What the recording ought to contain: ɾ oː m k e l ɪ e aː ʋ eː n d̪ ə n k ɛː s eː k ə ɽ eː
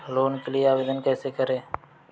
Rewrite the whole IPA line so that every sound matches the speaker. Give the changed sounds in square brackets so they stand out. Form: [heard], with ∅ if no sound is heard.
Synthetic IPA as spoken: [l] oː [n] k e l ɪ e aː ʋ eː [∅] d̪ ə n k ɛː s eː k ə [ɾ] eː